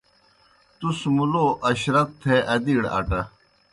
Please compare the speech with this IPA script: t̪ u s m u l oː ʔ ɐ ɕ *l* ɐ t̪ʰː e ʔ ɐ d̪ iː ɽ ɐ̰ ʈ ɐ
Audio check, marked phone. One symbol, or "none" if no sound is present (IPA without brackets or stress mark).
ɾ